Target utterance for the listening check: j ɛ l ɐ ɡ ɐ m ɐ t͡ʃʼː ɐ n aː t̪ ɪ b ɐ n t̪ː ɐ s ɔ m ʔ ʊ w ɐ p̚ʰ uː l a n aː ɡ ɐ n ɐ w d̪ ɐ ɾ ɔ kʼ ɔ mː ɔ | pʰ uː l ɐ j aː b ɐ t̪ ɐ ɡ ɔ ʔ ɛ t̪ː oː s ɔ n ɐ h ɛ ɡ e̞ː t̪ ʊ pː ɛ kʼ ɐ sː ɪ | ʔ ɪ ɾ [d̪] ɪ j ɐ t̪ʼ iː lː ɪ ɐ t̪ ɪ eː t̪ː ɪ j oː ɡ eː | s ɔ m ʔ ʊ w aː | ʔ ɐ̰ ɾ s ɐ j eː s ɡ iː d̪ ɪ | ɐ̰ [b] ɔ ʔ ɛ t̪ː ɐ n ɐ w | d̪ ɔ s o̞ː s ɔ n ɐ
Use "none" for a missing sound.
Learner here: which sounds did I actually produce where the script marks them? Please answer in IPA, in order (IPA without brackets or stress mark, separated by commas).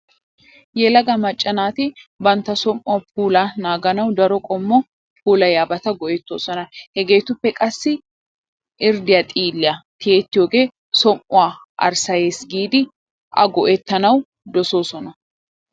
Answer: d̪, ɡ